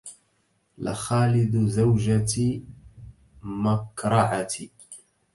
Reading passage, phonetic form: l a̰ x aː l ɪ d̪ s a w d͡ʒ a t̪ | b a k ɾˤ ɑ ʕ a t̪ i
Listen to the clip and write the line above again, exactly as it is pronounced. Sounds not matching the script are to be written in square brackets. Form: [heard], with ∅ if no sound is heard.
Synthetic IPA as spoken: l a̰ x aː l ɪ d̪ [z] a w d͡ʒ a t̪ | [m] a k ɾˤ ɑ ʕ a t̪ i